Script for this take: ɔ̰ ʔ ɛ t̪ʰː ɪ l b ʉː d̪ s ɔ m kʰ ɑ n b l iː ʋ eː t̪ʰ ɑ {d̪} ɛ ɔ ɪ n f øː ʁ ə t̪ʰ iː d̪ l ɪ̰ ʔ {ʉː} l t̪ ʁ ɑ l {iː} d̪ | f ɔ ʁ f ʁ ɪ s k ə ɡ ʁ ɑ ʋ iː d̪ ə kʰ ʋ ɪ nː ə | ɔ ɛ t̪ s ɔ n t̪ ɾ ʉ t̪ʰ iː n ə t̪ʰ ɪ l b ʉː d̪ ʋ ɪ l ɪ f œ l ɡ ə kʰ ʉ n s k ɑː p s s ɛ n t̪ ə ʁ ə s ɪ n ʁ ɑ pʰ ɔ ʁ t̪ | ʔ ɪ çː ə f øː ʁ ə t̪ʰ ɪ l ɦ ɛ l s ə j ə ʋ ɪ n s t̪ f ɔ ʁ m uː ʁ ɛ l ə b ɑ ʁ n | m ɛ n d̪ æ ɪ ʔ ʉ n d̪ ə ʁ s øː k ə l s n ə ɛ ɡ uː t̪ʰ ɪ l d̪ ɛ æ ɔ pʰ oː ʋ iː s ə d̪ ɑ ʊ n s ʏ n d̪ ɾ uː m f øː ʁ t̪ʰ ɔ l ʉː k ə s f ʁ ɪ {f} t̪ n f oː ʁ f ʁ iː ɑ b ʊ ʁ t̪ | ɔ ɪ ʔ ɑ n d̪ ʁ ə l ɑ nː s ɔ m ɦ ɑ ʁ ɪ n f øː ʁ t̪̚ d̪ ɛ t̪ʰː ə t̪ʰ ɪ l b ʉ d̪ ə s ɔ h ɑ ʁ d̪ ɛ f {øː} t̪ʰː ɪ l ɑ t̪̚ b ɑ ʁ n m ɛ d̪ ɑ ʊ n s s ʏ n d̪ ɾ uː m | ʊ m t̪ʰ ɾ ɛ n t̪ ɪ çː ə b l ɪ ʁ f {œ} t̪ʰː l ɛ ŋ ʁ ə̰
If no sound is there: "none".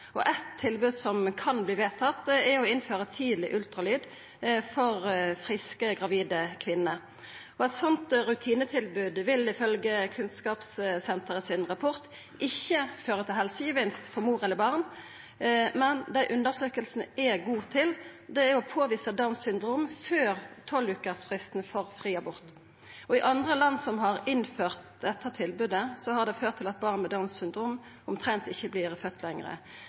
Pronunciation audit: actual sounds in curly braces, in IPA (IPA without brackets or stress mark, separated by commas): t̪, ʉ, yː, s, øː, œ